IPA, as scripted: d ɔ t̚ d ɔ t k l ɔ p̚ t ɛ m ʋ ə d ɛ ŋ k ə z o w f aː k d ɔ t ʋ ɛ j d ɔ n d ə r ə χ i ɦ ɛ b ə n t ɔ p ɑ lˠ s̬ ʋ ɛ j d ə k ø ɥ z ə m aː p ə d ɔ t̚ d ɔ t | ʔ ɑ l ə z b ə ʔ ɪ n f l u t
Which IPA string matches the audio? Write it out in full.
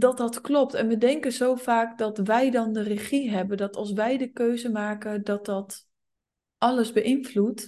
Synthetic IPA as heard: d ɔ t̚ d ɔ t k l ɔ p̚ t ɛ n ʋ ə d ɛ ŋ k ə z o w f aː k d ɔ t ʋ ɛ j d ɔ n d ə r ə χ i ɦ ɛ b ə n d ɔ t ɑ lˠ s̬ ʋ ɛ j d ə k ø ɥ z ə m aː k ə d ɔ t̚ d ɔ t | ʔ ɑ l ə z b ə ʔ ɪ n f l u t